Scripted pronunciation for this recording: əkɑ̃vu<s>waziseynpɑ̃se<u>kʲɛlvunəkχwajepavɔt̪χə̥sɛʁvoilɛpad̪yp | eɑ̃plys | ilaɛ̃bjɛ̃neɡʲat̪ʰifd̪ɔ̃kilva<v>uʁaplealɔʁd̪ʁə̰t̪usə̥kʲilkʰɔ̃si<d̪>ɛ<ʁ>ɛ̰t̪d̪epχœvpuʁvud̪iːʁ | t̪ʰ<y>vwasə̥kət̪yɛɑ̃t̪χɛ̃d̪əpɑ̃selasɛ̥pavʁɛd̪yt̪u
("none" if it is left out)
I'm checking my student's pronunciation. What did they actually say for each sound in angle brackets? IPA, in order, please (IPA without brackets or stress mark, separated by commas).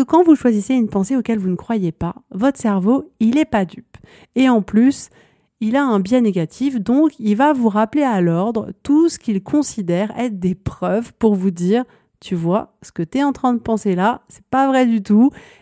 ʃ, o, v, d̪, ʁ, y